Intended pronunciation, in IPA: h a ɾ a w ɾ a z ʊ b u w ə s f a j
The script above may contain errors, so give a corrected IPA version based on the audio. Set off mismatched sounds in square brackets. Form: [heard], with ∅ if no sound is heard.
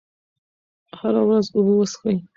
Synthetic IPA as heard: h a ɾ a w ɾ a z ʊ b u w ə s [x] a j